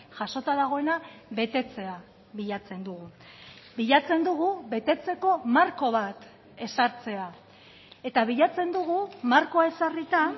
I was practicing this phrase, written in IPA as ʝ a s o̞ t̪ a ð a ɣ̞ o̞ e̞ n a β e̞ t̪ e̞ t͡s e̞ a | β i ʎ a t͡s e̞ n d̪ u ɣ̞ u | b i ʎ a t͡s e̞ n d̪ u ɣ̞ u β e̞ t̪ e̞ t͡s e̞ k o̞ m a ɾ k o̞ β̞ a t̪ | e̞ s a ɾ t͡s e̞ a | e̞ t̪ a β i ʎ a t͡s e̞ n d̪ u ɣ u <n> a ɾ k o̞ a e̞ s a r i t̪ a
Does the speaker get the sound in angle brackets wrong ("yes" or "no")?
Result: yes